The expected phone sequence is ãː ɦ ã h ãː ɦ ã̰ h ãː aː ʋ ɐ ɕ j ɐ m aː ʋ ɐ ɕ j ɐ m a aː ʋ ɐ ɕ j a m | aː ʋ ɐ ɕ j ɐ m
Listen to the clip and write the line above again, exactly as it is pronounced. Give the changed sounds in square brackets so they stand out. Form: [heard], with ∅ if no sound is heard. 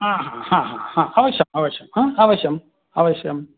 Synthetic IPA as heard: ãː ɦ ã h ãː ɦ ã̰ h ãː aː ʋ ɐ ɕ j ɐ m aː ʋ ɐ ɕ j ɐ m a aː ʋ ɐ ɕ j [ɐ] m | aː ʋ ɐ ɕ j ɐ m